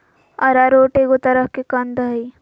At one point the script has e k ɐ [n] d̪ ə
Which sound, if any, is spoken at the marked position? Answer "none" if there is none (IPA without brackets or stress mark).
n